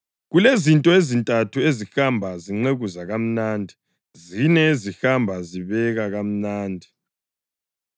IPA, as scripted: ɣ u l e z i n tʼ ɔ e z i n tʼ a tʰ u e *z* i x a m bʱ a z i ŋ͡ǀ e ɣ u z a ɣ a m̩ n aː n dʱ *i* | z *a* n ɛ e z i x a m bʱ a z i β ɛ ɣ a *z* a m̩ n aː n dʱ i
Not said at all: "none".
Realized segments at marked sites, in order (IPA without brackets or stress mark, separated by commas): z, i, i, ɣ